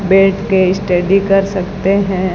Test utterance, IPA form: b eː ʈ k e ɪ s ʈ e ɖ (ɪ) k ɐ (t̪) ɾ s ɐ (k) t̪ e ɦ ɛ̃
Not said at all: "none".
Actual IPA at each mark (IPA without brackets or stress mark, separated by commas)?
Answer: i, none, k